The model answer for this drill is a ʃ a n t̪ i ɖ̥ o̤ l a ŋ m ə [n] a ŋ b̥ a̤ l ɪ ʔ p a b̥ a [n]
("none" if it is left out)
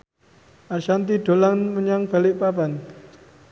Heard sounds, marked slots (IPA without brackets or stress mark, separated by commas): ɲ, n